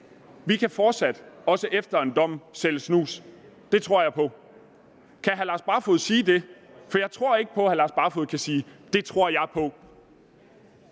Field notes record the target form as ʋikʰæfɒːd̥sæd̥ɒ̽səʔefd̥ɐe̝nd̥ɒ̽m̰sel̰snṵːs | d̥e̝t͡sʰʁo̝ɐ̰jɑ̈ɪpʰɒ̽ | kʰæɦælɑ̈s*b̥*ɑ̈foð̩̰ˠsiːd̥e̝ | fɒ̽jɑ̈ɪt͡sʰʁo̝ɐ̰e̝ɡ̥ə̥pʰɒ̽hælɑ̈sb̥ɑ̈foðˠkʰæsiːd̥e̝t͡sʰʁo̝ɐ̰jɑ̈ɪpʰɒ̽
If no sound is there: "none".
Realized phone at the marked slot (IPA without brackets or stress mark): b̥